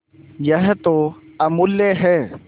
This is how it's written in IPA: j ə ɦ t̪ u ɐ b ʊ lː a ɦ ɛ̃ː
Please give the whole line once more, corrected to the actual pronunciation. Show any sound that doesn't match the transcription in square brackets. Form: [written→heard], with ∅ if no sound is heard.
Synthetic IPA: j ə ɦ t̪ [u→o] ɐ [b→m] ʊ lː [a→e] ɦ [ɛ̃ː→ɛː]